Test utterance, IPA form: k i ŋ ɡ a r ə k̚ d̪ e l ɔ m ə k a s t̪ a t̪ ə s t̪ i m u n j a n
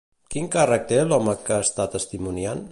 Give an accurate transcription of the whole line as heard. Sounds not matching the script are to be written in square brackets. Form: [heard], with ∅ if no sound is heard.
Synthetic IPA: k i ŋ [k] a r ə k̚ [t̪] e l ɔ m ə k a s t̪ a t̪ ə s t̪ i m u n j a n